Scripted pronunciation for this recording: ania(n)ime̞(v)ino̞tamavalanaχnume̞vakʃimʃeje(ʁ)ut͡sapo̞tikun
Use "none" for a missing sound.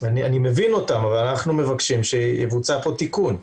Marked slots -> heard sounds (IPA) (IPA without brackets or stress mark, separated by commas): n, v, v